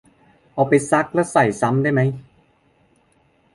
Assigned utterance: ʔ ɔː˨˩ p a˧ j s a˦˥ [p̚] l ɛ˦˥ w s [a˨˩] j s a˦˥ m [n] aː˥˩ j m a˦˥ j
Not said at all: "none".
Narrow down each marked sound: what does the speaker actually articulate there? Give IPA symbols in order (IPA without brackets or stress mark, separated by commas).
k̚, a˨˩, d